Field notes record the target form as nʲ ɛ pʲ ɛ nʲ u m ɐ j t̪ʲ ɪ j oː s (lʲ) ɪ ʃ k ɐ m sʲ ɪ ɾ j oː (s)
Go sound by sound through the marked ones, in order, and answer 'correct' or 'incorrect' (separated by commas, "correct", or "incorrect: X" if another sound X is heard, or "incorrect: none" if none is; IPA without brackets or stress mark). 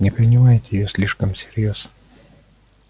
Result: correct, correct